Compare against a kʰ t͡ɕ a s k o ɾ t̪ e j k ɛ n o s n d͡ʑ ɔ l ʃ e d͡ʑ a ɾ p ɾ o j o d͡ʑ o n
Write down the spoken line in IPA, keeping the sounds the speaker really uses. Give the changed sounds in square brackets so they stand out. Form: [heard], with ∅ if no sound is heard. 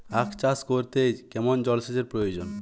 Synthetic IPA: a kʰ t͡ɕ a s k o ɾ t̪ e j k ɛ [m] o [∅] n d͡ʑ ɔ l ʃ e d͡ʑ [e] ɾ p ɾ o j o d͡ʑ o n